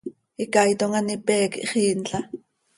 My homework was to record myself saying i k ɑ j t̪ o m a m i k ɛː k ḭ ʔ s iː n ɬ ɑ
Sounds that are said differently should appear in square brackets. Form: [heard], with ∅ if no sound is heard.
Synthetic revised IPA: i k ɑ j t̪ o [ŋ] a [n] i [p] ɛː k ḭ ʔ [χ] iː n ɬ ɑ